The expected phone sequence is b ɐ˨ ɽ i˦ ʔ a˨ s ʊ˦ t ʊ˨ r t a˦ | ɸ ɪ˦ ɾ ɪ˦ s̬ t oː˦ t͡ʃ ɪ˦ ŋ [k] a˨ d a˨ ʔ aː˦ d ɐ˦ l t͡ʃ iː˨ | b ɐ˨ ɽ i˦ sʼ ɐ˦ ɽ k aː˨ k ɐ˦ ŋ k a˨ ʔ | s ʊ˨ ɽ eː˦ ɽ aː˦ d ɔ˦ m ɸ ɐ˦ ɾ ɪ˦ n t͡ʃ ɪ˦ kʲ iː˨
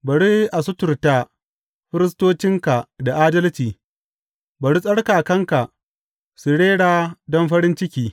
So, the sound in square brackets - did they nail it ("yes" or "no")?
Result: yes